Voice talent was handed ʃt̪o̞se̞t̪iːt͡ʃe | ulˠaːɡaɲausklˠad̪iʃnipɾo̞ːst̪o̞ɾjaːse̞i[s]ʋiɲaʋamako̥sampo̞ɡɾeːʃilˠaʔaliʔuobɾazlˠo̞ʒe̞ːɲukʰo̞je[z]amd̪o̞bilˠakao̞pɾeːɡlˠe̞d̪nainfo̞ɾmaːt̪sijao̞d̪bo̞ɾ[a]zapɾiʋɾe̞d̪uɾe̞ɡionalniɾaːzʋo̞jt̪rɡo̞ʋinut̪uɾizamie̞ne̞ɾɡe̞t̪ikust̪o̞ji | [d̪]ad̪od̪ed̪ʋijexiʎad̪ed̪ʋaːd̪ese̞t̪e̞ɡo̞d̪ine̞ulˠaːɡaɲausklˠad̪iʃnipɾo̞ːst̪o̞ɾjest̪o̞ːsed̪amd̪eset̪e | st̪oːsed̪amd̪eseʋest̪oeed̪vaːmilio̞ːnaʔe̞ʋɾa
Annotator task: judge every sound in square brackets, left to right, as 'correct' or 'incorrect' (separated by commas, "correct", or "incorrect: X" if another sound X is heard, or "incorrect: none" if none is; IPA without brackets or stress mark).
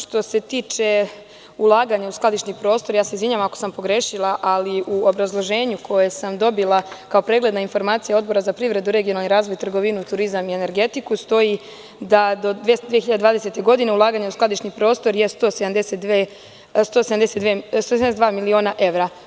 incorrect: z, incorrect: s, correct, correct